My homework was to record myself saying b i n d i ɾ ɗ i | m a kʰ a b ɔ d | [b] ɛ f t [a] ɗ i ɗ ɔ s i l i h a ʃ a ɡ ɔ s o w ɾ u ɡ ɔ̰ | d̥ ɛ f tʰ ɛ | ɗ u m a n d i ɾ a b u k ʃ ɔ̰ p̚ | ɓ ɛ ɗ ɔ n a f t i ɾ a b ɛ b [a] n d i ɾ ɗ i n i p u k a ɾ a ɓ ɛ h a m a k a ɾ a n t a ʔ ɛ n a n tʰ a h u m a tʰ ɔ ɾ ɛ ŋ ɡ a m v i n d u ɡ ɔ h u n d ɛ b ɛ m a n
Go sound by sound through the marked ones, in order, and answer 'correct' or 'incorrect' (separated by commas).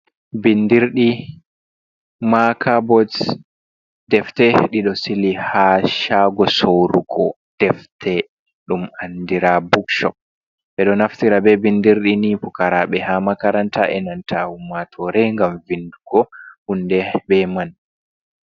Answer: incorrect, incorrect, incorrect